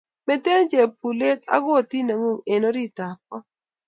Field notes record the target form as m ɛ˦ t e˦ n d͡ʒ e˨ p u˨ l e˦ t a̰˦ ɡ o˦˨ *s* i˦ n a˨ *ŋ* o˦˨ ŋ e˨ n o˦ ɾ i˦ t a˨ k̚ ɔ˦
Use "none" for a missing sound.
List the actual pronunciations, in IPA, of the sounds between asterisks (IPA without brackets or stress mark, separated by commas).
t, ŋ